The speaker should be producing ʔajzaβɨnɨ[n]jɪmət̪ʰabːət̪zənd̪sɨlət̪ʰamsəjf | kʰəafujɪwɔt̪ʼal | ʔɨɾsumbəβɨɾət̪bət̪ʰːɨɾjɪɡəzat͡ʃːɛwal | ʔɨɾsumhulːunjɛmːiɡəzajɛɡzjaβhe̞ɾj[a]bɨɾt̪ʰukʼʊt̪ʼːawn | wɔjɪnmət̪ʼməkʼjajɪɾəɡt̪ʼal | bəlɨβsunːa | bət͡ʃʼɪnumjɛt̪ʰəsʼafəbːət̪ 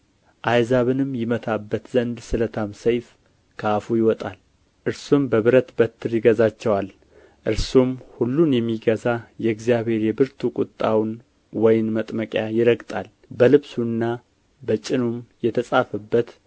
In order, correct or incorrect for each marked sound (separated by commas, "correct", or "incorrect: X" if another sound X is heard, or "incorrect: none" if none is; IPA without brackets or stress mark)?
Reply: incorrect: m, incorrect: ɛ